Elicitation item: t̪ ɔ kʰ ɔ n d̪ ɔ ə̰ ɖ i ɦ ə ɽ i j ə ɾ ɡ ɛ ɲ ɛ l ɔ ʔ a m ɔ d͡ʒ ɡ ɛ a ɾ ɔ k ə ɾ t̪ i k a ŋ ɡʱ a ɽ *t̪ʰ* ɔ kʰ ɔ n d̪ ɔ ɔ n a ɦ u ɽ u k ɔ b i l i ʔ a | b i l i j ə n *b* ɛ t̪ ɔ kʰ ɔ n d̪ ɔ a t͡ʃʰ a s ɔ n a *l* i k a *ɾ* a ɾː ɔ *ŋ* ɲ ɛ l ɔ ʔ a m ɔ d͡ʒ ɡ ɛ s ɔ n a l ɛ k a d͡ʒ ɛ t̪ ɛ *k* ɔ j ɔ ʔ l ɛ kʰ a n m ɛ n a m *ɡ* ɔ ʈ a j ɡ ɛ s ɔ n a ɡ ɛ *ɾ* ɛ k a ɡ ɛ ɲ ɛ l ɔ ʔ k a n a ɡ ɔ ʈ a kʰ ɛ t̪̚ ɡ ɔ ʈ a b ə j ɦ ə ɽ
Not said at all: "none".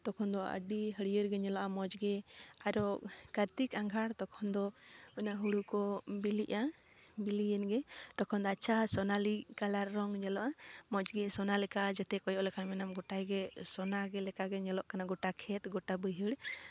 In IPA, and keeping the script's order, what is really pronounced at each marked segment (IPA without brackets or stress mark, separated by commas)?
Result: t̪, ɡ, l, l, ŋ, k, ɡ, l